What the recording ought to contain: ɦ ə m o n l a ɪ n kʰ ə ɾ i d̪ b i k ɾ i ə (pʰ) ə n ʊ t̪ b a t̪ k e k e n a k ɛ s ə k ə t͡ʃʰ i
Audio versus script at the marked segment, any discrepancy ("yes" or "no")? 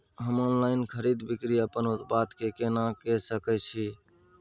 yes